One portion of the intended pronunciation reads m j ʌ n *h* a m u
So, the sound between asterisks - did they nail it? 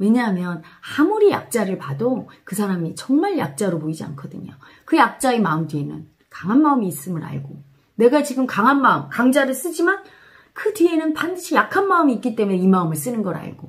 yes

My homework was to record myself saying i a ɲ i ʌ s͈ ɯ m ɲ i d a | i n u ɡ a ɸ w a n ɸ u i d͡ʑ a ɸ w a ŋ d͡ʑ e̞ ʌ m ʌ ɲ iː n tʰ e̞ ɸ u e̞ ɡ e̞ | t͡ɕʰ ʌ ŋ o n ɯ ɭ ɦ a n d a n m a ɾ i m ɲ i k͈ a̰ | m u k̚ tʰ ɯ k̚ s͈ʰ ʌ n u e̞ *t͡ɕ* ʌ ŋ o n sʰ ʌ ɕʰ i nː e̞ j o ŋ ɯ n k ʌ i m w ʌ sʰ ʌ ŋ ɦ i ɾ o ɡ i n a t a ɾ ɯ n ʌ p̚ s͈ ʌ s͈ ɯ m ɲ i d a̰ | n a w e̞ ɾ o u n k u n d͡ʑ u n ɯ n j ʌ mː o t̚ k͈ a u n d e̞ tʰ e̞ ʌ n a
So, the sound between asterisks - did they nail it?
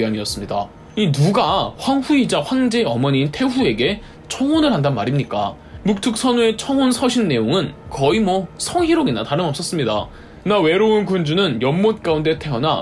no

